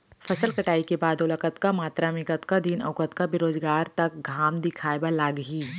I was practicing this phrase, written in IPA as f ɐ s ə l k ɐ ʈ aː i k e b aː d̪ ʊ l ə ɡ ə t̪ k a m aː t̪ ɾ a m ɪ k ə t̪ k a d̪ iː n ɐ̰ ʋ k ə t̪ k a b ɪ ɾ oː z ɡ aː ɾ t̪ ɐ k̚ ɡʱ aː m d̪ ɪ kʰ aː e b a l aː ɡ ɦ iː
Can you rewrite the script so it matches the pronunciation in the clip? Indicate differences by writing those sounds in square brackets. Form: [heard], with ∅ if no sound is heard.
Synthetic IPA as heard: f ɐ s ə l k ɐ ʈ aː i k e b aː d̪ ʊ l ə [k] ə t̪ k a m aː t̪ ɾ a m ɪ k ə t̪ k a d̪ iː n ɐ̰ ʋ k ə t̪ k a b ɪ ɾ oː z ɡ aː ɾ t̪ ɐ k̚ ɡʱ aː m d̪ ɪ kʰ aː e b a l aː ɡ ɦ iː